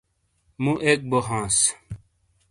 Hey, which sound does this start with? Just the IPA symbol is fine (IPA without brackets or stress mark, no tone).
m